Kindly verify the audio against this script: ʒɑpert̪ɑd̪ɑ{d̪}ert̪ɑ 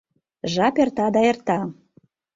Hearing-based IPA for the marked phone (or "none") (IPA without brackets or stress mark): none